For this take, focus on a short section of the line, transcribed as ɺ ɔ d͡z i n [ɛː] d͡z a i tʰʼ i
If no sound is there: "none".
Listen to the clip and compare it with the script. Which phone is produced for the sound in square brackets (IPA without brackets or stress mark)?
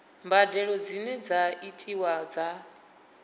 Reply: ɛ